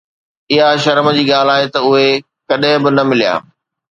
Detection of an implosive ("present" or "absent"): present